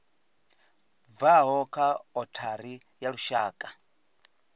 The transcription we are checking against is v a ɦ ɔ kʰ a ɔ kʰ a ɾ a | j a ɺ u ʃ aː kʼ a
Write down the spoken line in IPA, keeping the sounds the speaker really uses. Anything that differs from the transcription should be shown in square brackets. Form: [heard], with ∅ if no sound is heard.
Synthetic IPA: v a ɦ ɔ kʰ a ɔ [tʰ] a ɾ [i] | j a ɺ u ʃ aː kʼ a